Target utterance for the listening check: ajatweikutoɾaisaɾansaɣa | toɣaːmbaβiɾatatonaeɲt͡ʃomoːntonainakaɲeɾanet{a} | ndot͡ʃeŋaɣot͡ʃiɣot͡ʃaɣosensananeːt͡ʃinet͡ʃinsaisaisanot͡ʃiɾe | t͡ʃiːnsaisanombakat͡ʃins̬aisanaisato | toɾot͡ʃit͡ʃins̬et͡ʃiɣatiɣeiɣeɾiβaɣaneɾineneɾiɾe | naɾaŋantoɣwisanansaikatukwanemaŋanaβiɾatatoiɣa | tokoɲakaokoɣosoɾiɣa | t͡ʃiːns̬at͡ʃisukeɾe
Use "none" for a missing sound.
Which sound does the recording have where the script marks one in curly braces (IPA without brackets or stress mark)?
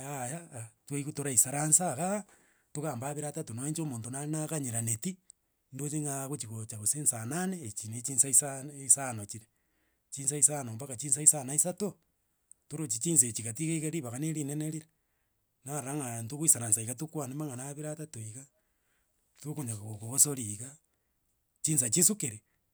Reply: i